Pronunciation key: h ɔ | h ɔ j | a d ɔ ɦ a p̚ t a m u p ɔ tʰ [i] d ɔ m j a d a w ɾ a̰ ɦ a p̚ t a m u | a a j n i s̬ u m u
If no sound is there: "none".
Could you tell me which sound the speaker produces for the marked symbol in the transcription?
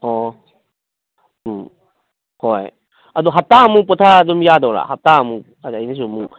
a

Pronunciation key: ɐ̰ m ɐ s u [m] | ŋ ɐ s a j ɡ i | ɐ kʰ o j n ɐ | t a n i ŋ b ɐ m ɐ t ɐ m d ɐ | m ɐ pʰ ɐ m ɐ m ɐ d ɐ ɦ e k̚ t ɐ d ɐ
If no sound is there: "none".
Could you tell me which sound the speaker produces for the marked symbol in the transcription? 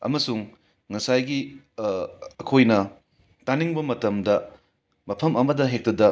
ŋ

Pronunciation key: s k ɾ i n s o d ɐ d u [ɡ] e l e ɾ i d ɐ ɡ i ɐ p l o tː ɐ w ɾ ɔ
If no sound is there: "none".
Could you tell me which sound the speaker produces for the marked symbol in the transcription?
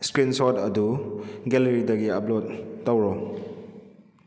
ɡ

